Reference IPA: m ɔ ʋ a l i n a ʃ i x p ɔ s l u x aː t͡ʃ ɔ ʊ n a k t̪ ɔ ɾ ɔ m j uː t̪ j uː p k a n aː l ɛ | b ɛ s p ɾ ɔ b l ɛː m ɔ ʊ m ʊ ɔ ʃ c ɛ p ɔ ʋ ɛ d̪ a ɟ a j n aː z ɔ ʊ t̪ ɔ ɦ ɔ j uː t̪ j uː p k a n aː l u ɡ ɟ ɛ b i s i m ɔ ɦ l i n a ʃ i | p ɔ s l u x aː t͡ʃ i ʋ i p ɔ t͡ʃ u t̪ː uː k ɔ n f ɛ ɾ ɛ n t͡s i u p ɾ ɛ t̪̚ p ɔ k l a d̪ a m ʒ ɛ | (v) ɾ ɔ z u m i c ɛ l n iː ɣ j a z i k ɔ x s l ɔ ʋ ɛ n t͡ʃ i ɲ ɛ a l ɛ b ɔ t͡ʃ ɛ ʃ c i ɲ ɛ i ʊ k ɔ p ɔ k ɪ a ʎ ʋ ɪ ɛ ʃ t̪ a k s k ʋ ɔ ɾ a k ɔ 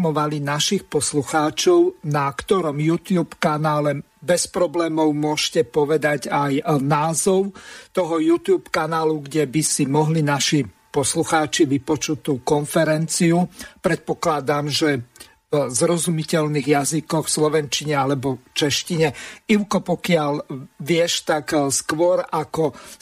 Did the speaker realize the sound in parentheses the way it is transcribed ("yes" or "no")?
no